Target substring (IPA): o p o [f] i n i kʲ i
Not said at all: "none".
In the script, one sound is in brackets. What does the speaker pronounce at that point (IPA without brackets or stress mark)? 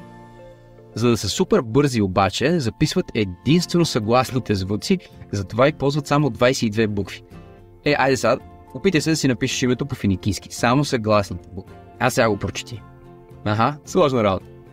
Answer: f